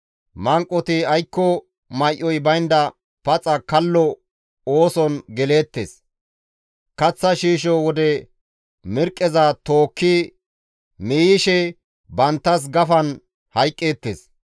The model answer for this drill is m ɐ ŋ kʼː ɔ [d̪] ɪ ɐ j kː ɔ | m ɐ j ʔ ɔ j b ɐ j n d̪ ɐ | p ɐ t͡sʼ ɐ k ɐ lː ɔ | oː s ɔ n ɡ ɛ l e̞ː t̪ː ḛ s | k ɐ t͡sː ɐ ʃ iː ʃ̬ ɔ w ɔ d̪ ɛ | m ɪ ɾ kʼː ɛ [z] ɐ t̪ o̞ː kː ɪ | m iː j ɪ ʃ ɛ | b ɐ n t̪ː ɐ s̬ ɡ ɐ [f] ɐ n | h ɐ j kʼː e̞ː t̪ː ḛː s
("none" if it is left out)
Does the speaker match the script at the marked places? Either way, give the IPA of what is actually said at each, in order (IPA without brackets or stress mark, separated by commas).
t̪, z, f